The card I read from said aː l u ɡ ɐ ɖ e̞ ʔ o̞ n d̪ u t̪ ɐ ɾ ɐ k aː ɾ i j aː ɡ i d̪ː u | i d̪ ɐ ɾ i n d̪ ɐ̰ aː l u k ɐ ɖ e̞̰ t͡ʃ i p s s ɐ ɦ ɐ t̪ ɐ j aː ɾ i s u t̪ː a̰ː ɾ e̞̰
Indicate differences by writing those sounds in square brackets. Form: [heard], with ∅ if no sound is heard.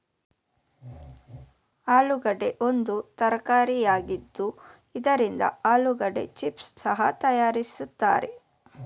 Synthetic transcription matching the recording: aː l u ɡ ɐ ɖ e̞ ʔ o̞ n d̪ u t̪ ɐ ɾ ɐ k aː ɾ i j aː ɡ i d̪ː u | i d̪ ɐ ɾ i n d̪ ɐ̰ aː l u [ɡ] ɐ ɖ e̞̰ t͡ʃ i p s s ɐ ɦ ɐ t̪ ɐ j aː ɾ i s u t̪ː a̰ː ɾ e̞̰